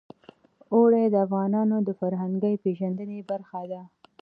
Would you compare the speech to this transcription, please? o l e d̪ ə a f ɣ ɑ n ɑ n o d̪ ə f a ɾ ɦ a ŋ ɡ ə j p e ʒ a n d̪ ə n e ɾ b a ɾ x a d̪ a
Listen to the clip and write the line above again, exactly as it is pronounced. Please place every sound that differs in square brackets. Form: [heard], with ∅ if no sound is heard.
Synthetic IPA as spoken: o [ɽ] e d̪ ə a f ɣ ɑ n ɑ n o d̪ ə f a ɾ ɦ a ŋ ɡ ə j p e ʒ a n d̪ ə n e [∅] b a ɾ x a d̪ a